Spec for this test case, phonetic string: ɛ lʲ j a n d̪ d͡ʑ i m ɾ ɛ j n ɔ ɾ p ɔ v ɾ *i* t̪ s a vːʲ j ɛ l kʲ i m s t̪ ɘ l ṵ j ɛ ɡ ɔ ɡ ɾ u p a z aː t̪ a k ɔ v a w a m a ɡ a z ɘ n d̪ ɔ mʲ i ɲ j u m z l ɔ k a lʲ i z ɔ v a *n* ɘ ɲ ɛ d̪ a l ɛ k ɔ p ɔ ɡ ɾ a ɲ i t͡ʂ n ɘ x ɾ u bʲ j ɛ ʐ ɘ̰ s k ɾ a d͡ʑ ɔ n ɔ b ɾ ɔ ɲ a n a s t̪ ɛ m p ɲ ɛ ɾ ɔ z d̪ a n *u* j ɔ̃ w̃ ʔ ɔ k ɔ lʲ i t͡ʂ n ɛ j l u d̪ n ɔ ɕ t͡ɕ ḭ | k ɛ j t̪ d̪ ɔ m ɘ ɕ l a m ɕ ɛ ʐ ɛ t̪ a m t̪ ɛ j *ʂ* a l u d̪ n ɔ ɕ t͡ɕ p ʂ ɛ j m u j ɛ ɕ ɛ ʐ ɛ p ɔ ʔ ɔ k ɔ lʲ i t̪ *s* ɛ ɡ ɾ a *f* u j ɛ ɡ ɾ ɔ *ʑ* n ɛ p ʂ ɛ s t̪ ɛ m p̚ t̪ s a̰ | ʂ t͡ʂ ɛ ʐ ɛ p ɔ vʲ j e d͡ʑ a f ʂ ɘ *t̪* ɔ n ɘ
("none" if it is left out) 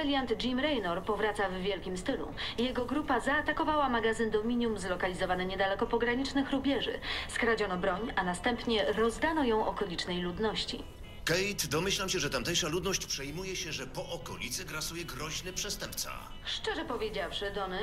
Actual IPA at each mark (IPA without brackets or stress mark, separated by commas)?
a, n, ɔ, ʂ, s, s, ʑ, d̪